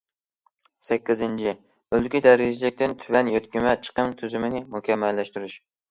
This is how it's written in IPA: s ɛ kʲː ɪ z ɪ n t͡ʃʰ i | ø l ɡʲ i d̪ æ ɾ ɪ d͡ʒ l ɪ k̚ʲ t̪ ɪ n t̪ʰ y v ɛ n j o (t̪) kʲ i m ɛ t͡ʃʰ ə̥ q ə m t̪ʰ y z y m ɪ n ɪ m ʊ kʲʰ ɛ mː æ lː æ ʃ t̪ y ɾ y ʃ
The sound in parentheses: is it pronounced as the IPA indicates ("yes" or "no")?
yes